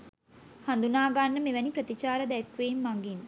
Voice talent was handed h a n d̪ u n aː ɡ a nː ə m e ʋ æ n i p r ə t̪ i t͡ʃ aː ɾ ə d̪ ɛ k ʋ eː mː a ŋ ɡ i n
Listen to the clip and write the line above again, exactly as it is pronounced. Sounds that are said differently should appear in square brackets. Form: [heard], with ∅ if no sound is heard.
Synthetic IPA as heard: h a n d̪ u n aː ɡ a nː ə m e ʋ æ n i p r ə t̪ i t͡ʃ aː ɾ ə d̪ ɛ k ʋ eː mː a ŋ ɡ i n